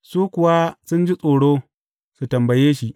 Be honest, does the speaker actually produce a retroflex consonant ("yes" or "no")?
yes